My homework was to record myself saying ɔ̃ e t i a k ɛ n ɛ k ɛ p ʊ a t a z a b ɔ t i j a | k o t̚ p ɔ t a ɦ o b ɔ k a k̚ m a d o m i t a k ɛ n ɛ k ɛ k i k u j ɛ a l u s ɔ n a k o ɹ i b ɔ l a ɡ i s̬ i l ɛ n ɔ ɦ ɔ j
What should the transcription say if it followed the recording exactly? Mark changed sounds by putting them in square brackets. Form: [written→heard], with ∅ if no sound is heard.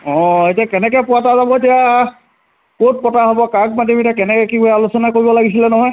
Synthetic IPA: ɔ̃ e t i a k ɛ n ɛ k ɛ p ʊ a t a z a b ɔ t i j a | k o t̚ p ɔ t a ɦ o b ɔ k a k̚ m a d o m i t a k ɛ n ɛ k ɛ k i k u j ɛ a l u s ɔ n a k o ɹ i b ɔ l a ɡ i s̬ i l ɛ n ɔ ɦ ɔ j